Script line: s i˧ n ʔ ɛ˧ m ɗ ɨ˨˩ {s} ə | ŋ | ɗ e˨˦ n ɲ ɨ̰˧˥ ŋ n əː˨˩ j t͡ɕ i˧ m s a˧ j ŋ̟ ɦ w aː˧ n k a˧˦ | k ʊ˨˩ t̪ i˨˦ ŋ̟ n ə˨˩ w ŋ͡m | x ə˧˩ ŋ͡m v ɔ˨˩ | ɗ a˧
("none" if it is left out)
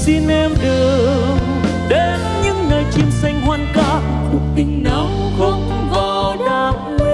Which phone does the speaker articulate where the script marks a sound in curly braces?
none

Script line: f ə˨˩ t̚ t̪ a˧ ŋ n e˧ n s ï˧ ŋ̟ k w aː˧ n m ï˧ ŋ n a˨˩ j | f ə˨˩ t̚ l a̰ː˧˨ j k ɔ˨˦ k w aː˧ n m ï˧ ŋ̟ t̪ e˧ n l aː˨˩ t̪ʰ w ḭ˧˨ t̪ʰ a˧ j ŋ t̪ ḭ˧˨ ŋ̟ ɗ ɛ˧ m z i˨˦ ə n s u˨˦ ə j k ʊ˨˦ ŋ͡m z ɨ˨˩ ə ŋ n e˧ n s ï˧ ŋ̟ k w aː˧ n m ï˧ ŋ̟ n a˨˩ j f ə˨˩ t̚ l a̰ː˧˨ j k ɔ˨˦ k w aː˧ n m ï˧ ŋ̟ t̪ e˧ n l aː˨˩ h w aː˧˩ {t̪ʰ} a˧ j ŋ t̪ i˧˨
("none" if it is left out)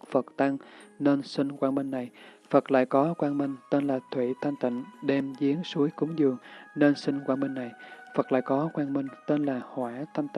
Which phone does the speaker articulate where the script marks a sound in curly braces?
t̪ʰ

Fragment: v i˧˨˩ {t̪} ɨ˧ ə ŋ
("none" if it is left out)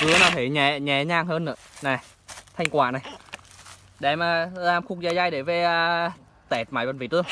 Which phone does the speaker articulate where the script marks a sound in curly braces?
t̪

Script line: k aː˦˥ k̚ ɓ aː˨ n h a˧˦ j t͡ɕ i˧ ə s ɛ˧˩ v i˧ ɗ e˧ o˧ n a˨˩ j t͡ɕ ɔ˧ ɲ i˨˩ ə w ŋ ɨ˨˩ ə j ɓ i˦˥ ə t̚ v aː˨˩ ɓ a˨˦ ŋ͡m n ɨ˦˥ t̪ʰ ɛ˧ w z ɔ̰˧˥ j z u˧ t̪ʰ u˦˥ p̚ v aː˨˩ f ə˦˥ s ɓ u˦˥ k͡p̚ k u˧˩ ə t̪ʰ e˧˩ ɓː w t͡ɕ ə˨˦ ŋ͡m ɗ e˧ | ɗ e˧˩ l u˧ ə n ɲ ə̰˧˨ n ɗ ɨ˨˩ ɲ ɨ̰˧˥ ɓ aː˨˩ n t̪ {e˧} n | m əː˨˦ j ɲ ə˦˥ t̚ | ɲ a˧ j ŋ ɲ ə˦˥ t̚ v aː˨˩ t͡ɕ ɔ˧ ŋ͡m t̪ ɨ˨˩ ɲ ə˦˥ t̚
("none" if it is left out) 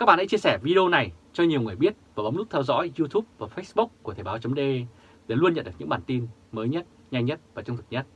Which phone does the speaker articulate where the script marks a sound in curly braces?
i˧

